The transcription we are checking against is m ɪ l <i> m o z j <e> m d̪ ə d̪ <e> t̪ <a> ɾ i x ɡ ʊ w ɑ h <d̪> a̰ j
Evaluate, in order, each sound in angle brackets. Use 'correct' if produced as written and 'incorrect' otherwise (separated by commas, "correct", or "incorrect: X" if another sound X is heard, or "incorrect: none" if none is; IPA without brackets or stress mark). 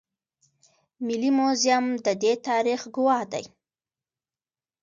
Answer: correct, incorrect: a, correct, incorrect: ɑ, correct